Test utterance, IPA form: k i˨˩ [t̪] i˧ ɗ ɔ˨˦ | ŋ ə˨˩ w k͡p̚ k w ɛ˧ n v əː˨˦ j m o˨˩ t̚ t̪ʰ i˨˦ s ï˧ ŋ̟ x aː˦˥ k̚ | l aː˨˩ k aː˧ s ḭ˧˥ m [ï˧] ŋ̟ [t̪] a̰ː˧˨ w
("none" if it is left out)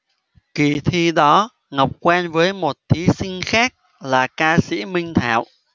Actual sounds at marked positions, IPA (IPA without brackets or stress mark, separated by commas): t̪ʰ, ï˧, t̪ʰ